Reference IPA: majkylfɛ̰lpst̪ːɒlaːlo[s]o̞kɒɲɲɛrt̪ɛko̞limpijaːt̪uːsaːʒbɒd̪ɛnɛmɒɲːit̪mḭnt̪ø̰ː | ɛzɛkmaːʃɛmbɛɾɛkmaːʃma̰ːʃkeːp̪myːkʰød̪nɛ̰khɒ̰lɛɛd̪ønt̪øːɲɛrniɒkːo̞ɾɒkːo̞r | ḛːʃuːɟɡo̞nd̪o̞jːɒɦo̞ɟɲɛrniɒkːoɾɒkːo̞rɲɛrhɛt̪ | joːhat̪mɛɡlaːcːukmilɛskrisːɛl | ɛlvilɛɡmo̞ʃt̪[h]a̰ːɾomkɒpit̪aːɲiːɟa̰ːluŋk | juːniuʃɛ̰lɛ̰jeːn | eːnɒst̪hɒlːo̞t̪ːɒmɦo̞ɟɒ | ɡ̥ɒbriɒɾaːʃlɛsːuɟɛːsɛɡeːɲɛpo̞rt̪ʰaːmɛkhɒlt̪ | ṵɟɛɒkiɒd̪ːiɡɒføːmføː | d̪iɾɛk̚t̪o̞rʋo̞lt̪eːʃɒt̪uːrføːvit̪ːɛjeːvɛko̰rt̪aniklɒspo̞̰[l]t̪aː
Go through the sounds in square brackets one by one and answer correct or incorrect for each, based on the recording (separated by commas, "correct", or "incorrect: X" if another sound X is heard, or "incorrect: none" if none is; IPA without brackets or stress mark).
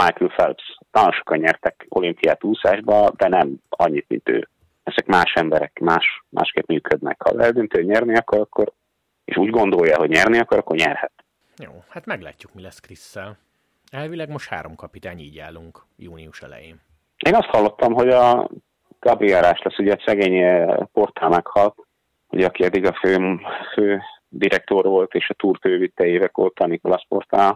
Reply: incorrect: ʃ, correct, incorrect: r